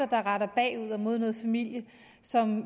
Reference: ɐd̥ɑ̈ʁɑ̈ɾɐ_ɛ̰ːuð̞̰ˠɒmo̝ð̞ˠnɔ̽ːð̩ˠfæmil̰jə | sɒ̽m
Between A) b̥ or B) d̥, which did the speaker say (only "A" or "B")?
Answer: A